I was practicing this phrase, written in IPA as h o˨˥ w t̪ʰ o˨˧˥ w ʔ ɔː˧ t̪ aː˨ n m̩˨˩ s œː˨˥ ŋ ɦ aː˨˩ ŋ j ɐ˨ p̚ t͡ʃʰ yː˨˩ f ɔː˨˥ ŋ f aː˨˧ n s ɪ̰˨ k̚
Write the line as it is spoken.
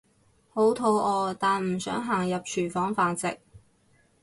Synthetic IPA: h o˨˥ w t̪ʰ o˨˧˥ w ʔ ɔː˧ t̪ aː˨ n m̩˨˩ s œː˨˥ ŋ ɦ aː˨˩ ŋ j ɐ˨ p̚ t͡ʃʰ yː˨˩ f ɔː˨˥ ŋ f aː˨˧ n t͡s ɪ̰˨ k̚